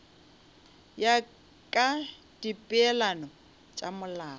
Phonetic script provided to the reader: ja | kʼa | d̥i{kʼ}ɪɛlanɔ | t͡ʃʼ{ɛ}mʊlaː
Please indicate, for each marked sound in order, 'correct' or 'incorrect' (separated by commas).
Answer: incorrect, incorrect